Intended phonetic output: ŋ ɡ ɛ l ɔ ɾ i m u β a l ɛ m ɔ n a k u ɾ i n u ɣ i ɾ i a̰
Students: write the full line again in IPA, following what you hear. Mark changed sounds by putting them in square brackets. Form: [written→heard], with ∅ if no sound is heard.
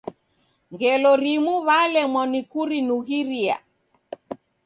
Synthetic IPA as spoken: ŋ ɡ ɛ l ɔ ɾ i m u β a l ɛ m ɔ n [a→i] k u ɾ i n u ɣ i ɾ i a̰